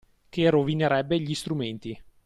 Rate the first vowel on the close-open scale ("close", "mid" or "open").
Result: mid